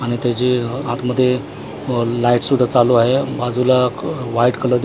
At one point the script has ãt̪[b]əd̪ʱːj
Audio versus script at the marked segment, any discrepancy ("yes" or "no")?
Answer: yes